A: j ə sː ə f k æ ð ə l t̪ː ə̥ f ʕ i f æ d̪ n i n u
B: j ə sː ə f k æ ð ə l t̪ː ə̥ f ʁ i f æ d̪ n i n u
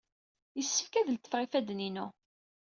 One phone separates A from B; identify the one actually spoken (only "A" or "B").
B